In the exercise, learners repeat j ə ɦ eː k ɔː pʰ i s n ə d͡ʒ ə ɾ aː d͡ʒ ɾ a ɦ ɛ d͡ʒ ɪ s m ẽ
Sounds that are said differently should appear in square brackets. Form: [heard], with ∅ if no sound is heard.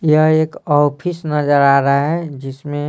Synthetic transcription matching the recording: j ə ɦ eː k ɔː pʰ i s n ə d͡ʒ ə ɾ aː [∅] ɾ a ɦ ɛ d͡ʒ ɪ s m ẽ